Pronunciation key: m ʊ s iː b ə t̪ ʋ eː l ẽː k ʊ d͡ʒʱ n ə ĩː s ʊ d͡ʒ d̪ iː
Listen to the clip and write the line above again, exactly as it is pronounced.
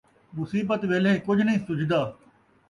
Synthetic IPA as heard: m ʊ s iː b ə t̪ ʋ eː l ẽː k ʊ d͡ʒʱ n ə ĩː s ʊ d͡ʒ d̪ aː